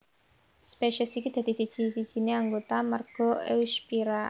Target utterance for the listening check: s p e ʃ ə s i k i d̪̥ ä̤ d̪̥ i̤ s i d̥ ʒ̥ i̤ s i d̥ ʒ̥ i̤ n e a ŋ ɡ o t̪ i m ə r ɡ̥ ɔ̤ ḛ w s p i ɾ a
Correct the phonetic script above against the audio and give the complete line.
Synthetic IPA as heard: s p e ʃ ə s i k i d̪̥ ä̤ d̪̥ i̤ s i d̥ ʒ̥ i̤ s i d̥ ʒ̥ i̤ n e a ŋ ɡ o t̪ a m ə r ɡ̥ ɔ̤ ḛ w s p i ɾ a